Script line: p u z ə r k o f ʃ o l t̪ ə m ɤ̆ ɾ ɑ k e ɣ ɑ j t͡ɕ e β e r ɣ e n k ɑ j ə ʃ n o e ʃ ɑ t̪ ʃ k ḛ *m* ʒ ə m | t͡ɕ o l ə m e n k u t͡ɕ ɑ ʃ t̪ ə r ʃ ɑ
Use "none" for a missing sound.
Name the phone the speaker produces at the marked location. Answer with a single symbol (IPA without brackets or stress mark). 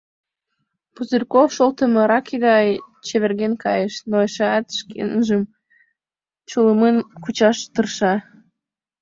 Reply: n